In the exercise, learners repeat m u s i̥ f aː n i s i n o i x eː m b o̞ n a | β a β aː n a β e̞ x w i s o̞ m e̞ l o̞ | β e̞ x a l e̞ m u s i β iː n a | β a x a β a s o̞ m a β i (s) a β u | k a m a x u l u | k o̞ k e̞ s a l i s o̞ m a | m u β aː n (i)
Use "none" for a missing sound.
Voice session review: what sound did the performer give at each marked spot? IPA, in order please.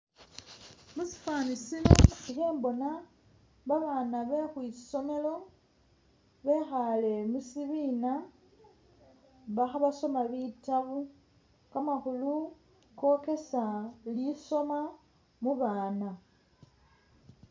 t, a

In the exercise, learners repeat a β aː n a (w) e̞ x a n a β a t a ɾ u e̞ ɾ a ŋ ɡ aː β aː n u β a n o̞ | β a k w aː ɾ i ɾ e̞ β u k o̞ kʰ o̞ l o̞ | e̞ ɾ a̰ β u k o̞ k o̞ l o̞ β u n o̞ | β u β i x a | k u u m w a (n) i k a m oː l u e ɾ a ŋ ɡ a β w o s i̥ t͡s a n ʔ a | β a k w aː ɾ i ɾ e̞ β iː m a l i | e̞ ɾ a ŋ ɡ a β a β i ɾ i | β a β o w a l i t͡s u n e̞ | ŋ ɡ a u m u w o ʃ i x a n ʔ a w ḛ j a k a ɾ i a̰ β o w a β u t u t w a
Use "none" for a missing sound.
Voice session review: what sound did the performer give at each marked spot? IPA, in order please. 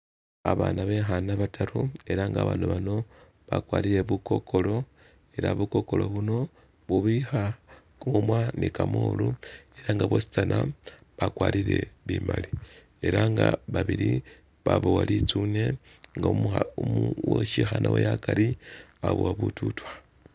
β, n

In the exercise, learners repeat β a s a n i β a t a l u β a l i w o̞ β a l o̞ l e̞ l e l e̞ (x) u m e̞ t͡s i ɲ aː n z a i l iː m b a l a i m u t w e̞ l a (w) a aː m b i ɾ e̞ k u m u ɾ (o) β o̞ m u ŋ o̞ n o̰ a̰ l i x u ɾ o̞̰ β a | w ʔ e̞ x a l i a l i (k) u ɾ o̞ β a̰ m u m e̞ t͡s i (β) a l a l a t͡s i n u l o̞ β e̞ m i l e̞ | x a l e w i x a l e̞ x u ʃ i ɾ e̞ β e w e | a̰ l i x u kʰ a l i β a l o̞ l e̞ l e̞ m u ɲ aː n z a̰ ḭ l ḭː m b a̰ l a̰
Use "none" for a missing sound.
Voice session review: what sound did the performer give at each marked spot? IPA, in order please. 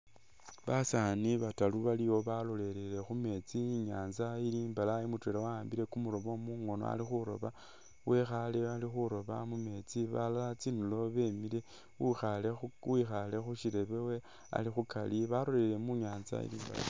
x, w, o, x, β

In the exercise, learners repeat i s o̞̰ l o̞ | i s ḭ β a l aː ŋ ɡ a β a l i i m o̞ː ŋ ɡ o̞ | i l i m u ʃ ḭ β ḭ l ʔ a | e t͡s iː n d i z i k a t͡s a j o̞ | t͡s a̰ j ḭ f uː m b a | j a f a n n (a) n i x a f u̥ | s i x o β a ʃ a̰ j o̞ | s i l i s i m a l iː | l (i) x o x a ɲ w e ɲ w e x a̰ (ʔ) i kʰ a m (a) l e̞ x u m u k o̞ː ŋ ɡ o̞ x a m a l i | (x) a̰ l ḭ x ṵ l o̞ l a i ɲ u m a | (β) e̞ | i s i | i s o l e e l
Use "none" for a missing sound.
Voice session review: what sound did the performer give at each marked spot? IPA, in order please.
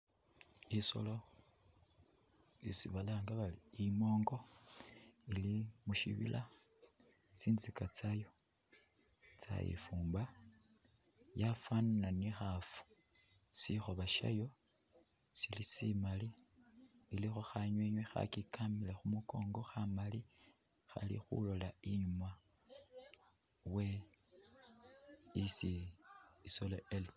a, i, k, i, x, w

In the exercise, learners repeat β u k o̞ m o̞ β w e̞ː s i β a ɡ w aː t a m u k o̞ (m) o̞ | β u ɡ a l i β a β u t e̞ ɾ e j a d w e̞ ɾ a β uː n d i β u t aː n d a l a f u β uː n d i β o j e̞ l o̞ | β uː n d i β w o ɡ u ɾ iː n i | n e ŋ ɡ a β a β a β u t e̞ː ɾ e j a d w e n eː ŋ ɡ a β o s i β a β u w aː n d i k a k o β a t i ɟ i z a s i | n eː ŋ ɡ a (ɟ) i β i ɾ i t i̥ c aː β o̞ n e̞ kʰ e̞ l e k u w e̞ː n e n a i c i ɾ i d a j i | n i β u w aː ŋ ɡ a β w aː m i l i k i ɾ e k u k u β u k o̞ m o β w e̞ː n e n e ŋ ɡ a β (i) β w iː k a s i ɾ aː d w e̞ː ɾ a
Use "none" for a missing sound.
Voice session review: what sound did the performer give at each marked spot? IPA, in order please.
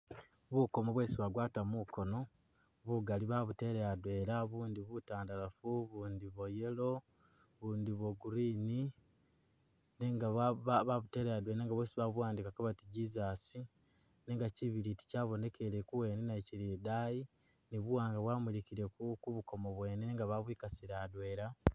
n, c, a

